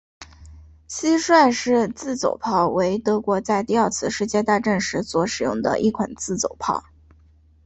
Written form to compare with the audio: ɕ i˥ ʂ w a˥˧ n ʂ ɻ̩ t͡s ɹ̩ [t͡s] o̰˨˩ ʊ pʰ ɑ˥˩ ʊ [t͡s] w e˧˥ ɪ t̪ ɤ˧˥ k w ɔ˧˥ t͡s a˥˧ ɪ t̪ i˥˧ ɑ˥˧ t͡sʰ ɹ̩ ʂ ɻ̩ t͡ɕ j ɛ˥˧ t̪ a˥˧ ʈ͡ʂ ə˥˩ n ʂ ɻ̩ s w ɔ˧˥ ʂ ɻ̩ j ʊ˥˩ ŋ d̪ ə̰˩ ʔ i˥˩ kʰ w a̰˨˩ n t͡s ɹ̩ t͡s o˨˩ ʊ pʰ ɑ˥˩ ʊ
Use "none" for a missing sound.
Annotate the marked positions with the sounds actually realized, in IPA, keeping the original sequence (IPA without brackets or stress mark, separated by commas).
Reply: t͡s, none